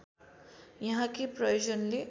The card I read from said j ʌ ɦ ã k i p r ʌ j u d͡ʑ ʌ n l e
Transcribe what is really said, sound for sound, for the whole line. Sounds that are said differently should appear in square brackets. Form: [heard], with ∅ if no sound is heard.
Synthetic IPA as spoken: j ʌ ɦ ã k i p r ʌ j [o] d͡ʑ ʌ n l e